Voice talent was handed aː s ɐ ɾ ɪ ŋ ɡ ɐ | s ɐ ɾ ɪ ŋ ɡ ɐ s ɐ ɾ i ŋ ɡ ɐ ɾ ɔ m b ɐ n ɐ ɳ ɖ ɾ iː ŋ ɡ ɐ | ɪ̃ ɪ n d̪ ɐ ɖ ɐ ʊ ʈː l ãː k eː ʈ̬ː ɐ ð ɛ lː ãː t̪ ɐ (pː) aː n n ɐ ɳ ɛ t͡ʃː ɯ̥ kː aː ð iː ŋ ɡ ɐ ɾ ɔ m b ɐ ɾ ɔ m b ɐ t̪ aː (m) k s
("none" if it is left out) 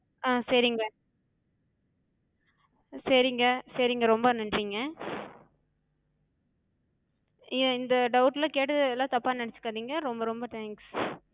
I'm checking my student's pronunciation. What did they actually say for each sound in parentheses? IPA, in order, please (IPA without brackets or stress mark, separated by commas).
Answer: pː, ŋ